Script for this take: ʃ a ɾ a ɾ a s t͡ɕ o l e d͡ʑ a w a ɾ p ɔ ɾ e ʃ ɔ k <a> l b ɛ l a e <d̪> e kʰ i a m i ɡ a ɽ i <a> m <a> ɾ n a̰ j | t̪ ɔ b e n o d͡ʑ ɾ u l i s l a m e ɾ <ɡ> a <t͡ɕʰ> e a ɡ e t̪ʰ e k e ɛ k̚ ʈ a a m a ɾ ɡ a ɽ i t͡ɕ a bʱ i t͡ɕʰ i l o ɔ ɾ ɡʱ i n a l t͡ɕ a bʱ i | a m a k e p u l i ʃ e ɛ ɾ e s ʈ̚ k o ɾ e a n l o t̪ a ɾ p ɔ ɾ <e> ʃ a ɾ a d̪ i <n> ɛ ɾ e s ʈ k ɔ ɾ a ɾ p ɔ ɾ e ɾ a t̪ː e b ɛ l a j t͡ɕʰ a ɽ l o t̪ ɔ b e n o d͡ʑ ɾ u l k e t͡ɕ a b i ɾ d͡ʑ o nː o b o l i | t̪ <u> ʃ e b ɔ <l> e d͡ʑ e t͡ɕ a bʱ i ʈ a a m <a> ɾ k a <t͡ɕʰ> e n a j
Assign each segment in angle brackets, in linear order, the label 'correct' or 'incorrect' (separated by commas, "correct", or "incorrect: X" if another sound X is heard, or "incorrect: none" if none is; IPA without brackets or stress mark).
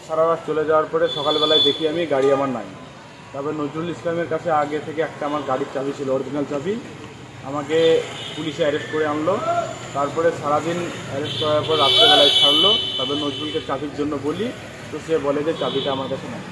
correct, correct, correct, correct, incorrect: k, correct, correct, correct, incorrect: o, correct, correct, correct